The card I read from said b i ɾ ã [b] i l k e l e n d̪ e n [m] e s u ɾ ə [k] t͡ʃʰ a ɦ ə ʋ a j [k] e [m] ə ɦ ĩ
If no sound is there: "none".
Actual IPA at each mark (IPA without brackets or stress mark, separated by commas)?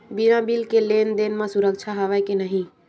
b, m, k, k, n